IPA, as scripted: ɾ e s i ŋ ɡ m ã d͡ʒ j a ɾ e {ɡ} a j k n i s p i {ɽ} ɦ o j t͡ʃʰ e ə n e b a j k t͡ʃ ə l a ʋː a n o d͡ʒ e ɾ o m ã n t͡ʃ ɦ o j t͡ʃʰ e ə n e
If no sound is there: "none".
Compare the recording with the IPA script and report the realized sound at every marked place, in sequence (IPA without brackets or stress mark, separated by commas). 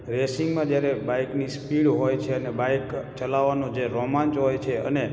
b, ɽ